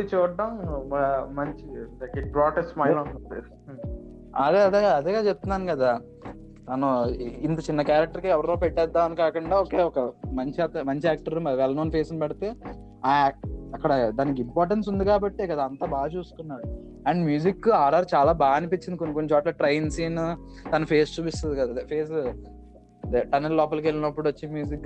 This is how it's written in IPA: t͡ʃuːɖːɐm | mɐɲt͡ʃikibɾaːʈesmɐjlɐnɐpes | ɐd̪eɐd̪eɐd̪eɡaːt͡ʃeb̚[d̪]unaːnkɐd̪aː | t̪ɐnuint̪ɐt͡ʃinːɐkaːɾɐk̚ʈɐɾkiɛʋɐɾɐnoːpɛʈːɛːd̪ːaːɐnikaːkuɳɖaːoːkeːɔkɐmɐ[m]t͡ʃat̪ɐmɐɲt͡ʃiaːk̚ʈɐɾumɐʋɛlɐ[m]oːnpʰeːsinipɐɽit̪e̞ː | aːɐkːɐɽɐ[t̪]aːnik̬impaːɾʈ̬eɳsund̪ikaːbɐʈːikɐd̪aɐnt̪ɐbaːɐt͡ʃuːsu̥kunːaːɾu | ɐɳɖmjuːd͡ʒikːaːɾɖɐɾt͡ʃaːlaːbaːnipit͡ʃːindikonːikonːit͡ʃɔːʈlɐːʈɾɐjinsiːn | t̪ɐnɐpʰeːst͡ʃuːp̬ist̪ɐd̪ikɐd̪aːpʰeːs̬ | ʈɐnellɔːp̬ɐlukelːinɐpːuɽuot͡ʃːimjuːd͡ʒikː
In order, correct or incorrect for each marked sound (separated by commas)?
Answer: incorrect, incorrect, incorrect, incorrect